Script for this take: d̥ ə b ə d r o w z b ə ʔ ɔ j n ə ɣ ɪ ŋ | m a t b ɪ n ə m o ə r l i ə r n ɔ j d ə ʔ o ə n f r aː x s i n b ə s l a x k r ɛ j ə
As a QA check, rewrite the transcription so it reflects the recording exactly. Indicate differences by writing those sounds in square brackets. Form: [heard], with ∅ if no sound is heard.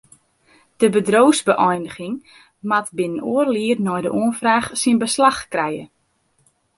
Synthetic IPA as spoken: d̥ ə b ə d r o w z b ə ʔ ɔ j n ə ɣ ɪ ŋ | m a t b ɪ n ə [n] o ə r l i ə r n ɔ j d ə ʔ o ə n f r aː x s i n b ə s l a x k r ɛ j ə